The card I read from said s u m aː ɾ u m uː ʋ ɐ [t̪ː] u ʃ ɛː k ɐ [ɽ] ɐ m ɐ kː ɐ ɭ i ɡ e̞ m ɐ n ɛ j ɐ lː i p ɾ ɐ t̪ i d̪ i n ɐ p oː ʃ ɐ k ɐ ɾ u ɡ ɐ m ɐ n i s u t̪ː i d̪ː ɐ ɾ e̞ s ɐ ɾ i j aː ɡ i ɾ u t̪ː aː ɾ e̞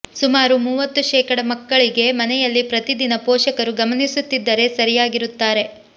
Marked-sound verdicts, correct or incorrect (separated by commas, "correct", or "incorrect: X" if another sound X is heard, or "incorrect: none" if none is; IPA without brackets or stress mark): correct, correct